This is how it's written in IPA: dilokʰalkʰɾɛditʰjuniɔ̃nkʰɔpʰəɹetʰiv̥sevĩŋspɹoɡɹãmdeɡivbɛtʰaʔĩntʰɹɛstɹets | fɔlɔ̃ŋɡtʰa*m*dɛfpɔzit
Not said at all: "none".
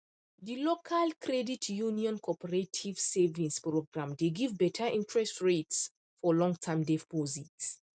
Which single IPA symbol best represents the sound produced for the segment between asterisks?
m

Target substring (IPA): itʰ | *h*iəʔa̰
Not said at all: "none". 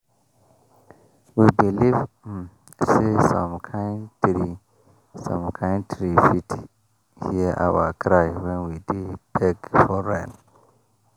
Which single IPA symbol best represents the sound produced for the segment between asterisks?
h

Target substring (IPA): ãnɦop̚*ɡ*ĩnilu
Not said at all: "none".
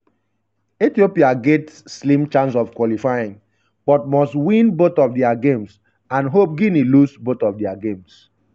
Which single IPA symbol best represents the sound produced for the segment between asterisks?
ɡ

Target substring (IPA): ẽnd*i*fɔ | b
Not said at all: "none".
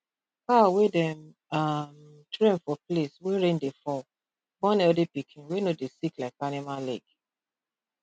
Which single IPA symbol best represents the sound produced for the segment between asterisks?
e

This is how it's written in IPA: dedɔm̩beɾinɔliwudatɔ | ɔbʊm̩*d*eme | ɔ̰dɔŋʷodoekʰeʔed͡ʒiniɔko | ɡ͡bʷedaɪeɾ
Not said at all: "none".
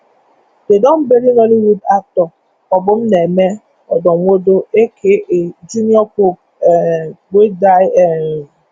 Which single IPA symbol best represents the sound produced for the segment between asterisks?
n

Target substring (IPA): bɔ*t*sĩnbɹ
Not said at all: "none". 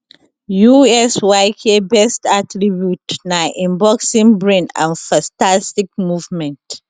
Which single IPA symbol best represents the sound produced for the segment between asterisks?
k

